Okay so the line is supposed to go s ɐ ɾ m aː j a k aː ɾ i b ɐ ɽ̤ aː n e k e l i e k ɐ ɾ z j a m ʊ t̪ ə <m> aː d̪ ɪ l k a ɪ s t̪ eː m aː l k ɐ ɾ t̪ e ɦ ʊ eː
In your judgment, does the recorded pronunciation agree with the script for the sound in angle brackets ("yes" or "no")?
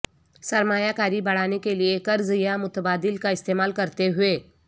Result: no